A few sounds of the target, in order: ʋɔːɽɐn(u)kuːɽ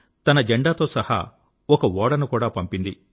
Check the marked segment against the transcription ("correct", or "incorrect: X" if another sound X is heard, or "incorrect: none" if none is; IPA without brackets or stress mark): correct